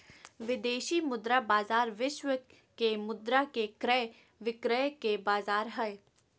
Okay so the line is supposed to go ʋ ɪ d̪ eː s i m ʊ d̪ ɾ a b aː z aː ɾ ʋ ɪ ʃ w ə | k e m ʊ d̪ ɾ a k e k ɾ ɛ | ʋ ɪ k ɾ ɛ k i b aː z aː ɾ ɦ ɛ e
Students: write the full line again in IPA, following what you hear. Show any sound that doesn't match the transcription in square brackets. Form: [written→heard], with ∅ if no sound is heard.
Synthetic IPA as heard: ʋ ɪ d̪ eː [s→ʃ] i m ʊ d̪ ɾ a b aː z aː ɾ ʋ ɪ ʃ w ə | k e m ʊ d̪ ɾ a k e k ɾ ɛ | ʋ ɪ k ɾ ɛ k [i→e] b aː z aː ɾ ɦ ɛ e

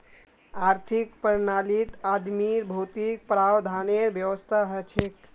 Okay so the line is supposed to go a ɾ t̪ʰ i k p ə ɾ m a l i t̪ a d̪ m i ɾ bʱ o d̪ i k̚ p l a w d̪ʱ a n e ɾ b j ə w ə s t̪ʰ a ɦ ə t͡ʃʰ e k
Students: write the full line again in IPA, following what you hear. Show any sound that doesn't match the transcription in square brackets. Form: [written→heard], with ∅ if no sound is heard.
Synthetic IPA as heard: a ɾ t̪ʰ i k p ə ɾ [m→n] a l i t̪ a d̪ m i ɾ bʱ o [d̪→t̪] i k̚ p [l→ɾ] a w d̪ʱ a n e ɾ b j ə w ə s t̪ʰ a ɦ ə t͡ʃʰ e k

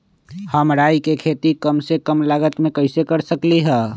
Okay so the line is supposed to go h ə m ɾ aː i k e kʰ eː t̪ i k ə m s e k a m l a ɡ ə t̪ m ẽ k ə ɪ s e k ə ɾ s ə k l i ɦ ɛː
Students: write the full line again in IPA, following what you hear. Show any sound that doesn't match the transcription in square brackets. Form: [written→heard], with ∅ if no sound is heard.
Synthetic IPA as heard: h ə m ɾ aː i k e kʰ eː t̪ i k ə m s e k [a→ə] m l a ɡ ə t̪ m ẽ k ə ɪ s e k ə ɾ s ə k l i ɦ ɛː

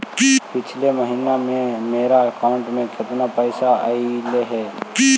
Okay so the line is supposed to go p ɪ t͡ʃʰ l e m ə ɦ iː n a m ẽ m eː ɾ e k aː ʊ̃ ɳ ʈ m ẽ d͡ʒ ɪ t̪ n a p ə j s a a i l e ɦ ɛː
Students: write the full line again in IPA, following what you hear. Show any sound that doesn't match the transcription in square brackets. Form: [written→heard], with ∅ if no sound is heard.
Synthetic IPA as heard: p ɪ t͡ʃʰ l e m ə ɦ iː n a m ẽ m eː ɾ [e→a] k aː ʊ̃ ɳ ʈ m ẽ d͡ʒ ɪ t̪ n a p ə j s a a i l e ɦ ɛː

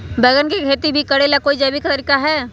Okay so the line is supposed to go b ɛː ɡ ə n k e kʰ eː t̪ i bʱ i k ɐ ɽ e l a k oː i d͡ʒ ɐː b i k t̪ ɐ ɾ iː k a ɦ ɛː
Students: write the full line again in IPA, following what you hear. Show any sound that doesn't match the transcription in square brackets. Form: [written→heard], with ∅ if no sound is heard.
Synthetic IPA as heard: b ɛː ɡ ə n k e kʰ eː t̪ i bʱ i k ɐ ɽ e l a k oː i d͡ʒ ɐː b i k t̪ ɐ ɾ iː k a ɦ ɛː

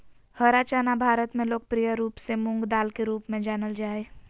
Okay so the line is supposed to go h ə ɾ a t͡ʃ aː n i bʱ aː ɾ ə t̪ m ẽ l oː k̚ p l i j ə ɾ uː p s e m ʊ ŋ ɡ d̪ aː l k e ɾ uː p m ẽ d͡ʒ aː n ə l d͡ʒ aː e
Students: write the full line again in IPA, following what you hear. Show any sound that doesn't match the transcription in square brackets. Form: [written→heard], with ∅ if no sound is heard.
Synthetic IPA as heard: h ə ɾ a t͡ʃ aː n [i→a] bʱ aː ɾ ə t̪ m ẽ l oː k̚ p [l→ɾ] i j ə ɾ uː p s e m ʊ ŋ ɡ d̪ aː l k e ɾ uː p m ẽ d͡ʒ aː n ə l d͡ʒ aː e

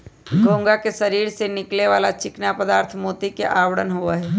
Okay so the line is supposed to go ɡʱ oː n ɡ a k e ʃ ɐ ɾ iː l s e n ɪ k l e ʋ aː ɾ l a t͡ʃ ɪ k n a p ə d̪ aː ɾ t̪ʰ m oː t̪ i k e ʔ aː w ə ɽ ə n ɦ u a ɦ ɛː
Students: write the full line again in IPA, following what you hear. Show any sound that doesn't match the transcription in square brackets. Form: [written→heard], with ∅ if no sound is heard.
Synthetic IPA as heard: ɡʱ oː [n→ŋ] ɡ a k e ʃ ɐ ɾ iː [l→ɾ] s e n ɪ k l e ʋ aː [ɾ→∅] l a t͡ʃ ɪ k n a p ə d̪ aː ɾ t̪ʰ m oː t̪ i k e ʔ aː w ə ɽ ə n ɦ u a ɦ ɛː

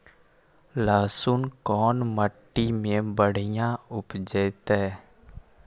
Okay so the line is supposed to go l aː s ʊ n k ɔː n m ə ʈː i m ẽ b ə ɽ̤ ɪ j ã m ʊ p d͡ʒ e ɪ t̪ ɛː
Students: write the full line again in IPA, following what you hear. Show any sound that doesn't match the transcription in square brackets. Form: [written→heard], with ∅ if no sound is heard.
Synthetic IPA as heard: l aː s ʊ n k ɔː n m ə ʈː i m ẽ b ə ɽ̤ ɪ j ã [m→∅] ʊ p d͡ʒ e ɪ t̪ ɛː

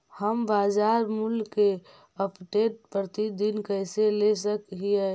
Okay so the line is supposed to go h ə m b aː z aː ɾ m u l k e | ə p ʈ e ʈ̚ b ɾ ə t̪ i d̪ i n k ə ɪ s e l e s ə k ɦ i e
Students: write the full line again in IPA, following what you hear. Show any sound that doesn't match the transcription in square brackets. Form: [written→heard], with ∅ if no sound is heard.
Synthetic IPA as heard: h ə m b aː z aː ɾ m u l k e | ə p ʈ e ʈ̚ [b→p] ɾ ə t̪ i d̪ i n k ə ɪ s e l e s ə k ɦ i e

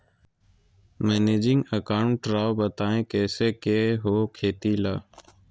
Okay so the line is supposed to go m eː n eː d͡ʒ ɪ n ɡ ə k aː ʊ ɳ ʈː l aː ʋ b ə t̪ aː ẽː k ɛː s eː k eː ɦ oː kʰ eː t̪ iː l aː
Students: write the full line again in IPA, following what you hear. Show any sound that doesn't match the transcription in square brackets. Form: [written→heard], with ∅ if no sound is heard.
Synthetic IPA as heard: m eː n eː d͡ʒ ɪ [n→ŋ] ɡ ə k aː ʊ ɳ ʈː [l→ɾ] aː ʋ b ə t̪ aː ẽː k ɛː s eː k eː ɦ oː kʰ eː t̪ iː l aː

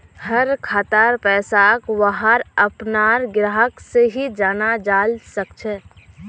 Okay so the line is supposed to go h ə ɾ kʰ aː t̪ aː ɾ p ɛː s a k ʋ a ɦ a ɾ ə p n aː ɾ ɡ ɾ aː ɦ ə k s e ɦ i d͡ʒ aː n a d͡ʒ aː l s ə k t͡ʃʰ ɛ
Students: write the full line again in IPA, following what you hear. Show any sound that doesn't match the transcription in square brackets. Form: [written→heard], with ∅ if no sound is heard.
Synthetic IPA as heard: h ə ɾ kʰ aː t̪ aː ɾ p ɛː s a k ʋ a ɦ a ɾ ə p n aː ɾ ɡ ɾ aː ɦ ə k s e ɦ i d͡ʒ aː n a d͡ʒ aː l s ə k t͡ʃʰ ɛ

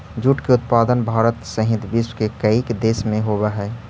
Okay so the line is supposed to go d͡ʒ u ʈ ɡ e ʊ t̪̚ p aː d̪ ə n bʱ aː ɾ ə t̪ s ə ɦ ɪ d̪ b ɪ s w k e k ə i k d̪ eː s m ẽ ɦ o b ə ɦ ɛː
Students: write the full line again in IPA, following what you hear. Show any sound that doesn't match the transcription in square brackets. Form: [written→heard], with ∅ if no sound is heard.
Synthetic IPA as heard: d͡ʒ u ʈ [ɡ→k] e ʊ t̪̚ p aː d̪ ə n bʱ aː ɾ ə t̪ s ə ɦ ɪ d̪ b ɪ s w k e k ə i k d̪ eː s m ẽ ɦ o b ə ɦ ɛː

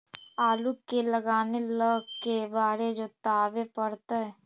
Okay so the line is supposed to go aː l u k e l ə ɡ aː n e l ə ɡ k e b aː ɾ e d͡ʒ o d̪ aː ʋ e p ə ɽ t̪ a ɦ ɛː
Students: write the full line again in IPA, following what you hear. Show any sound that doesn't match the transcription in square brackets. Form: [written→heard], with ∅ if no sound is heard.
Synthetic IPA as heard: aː l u k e l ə ɡ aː n e l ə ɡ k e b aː ɾ e d͡ʒ o [d̪→t̪] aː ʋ e p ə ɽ t̪ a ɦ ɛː

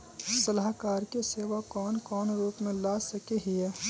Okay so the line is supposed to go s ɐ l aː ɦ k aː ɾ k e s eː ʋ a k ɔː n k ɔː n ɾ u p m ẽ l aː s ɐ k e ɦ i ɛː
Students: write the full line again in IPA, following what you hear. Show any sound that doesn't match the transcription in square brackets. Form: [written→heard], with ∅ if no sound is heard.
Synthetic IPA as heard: s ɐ l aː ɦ k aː ɾ k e s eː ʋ a k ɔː n k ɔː n ɾ [u→uː] p m ẽ l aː s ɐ k e ɦ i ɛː

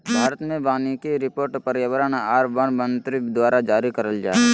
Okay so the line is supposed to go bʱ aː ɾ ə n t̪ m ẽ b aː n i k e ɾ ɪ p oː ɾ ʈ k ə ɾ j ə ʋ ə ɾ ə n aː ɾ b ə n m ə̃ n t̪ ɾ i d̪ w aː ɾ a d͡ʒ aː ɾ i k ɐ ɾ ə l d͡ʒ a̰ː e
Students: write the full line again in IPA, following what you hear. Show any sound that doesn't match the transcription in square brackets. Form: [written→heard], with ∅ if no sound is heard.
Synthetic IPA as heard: bʱ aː ɾ ə [n→∅] t̪ m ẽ b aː n i k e ɾ ɪ p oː ɾ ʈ [k→p] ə ɾ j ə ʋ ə ɾ ə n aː ɾ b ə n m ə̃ n t̪ ɾ i d̪ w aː ɾ a d͡ʒ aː ɾ i k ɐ ɾ ə l d͡ʒ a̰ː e

